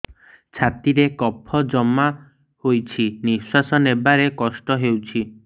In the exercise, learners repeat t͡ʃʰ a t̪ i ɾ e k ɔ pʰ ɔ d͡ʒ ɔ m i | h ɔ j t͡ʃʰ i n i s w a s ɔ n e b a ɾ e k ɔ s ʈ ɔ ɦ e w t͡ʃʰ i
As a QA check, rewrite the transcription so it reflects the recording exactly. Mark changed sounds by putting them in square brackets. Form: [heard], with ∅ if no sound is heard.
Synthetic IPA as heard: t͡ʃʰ a t̪ i ɾ e k ɔ pʰ ɔ d͡ʒ ɔ m [a] | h [o] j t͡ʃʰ i n i s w a s ɔ n e b a ɾ e k ɔ s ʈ ɔ ɦ e w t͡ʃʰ i